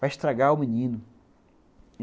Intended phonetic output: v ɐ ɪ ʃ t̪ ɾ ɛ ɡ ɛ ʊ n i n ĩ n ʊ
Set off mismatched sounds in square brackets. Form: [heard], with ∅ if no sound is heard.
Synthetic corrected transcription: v [a] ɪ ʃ t̪ ɾ [a] ɡ [a] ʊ [m] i n ĩ n ʊ

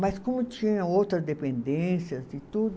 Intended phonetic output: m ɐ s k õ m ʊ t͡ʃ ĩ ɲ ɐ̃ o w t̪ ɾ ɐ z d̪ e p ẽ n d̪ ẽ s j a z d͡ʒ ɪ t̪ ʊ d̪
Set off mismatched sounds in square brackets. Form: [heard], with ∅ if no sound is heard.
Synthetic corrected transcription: m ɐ s k õ m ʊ t͡ʃ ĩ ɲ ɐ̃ o w t̪ ɾ ɐ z d̪ e p ẽ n d̪ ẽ s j [ɐ] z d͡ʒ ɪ t̪ [u] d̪

